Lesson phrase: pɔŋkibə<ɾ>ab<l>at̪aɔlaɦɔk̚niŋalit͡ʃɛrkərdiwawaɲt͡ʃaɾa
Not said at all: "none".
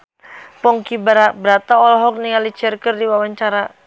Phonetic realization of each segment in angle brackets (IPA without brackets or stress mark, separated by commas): ɾ, ɾ